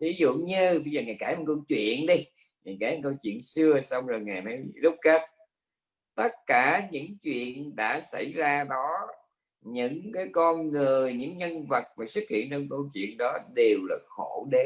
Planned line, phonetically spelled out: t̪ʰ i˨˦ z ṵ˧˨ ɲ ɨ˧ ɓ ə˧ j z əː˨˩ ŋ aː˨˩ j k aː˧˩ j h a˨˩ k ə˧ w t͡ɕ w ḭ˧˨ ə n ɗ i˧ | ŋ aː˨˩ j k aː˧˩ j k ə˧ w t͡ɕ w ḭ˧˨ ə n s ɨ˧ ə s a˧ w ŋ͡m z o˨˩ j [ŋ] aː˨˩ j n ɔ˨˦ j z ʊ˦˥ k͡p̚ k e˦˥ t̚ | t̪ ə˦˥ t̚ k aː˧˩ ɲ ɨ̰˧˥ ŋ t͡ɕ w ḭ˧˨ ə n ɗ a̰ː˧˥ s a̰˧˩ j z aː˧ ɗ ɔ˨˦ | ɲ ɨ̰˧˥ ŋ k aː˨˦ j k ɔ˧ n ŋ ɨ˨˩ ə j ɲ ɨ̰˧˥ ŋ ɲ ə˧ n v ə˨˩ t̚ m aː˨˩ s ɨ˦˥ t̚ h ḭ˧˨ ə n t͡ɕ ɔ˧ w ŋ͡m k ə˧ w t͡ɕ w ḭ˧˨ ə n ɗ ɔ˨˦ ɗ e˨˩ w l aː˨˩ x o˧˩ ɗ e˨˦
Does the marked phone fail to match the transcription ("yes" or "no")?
no